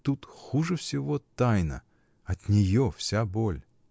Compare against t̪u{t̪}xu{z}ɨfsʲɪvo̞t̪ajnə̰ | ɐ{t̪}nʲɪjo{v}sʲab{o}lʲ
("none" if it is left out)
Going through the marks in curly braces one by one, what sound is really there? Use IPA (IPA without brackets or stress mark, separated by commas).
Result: t̪, ʐ, t̪, f, o